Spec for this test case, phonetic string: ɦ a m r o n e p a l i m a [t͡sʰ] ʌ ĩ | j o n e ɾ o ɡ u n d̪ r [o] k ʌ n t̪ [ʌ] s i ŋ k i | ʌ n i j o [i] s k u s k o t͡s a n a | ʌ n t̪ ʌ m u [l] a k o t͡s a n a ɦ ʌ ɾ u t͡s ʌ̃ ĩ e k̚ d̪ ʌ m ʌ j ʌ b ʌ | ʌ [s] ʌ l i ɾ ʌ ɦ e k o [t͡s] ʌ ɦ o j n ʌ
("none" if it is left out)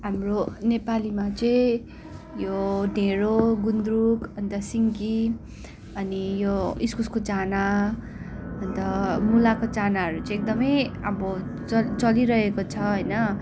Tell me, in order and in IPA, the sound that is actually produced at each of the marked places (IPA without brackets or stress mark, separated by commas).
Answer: t͡s, u, ʌ, i, l, t͡s, t͡sʰ